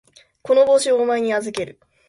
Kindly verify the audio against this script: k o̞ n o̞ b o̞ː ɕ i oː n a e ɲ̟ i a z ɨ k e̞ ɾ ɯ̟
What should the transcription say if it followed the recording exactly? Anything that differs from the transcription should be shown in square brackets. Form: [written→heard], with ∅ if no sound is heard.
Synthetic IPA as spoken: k o̞ n o̞ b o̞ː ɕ i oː [n→m] a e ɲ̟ i a z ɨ k e̞ ɾ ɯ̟